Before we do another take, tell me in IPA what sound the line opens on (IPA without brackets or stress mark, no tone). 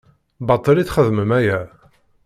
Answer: b